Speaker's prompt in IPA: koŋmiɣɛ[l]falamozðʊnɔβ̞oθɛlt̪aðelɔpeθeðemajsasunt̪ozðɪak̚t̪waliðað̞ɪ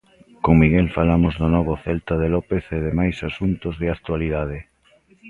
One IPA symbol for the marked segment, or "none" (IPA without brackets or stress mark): l